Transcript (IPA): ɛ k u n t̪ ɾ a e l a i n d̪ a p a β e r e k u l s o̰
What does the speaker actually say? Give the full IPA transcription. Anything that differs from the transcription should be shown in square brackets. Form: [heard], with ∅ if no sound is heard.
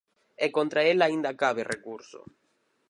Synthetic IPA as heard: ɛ k [o] n t̪ ɾ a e l a i n d̪ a [k] a β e r e k u [ɾ] s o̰

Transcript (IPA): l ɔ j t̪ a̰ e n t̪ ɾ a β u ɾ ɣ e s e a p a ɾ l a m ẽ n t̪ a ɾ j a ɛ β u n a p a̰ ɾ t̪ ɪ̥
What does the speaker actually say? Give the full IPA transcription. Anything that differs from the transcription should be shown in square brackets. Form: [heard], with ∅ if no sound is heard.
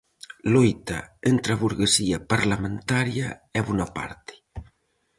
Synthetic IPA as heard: l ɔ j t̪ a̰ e n t̪ ɾ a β u ɾ ɣ e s [i] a p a ɾ l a m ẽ n t̪ a ɾ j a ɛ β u n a p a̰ ɾ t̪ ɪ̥

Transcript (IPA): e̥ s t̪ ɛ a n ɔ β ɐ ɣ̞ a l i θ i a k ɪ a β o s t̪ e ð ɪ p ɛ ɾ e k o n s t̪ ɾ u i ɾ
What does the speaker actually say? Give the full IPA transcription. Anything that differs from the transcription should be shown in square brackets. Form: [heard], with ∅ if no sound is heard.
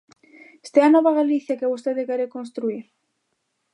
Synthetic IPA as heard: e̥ s t̪ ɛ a n ɔ β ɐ ɣ̞ a l i θ [j] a k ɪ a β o s t̪ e ð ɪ [k] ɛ ɾ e k o n s t̪ ɾ u i ɾ

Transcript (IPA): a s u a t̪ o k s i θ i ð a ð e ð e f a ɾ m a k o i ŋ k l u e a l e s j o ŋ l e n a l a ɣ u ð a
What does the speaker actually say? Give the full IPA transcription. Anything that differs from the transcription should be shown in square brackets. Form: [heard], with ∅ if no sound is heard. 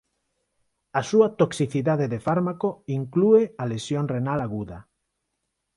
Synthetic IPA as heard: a s u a t̪ o k s i θ i ð a ð e ð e f a ɾ m a k o i ŋ k l u e a l e s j o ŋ [r] e n a l a ɣ u ð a

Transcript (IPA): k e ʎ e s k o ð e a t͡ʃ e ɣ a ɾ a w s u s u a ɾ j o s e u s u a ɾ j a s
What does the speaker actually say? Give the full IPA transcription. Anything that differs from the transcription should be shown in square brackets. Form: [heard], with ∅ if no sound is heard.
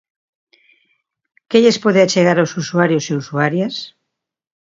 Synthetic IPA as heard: k e ʎ e s [p] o ð e a t͡ʃ e ɣ a ɾ a w s u s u a ɾ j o s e u s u a ɾ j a s

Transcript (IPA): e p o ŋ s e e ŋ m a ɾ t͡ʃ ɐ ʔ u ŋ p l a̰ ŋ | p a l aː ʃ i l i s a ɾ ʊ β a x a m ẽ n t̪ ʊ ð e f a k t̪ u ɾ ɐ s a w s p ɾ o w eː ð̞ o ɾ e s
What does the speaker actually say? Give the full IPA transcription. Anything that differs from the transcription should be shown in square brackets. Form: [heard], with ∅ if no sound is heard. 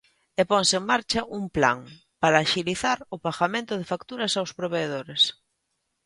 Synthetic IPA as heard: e p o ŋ s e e ŋ m a ɾ t͡ʃ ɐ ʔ u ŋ p l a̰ ŋ | p a [ɾ] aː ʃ i l i [θ] a ɾ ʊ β a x a m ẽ n t̪ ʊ ð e f a k t̪ u ɾ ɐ s a w s p ɾ o [β] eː ð̞ o ɾ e s

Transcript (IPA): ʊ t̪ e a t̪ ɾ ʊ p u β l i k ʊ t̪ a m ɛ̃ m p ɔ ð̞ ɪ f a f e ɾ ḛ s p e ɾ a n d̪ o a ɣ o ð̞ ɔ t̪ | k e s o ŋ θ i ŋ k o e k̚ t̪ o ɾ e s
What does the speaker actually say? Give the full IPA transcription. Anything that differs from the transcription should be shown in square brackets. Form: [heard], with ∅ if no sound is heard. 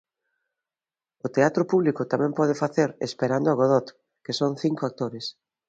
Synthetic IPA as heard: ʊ t̪ e a t̪ ɾ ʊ p u β l i k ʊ t̪ a m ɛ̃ m p ɔ ð̞ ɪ f a [θ] e ɾ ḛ s p e ɾ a n d̪ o a ɣ o ð̞ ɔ t̪ | k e s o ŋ θ i ŋ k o [a] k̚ t̪ o ɾ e s

